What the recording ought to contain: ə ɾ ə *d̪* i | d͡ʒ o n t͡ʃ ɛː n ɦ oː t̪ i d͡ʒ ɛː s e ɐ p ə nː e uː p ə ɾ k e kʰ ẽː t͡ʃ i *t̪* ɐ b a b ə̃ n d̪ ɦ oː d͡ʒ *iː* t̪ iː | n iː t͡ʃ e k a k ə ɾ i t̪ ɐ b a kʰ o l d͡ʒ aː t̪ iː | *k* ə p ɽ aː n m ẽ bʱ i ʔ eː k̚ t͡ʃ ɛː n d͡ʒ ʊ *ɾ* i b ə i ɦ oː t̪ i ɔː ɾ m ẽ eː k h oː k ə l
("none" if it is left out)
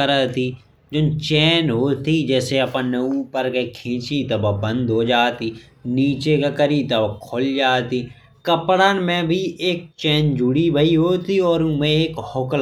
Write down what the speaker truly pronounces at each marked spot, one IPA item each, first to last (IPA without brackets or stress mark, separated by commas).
t̪, t̪, aː, k, ɽ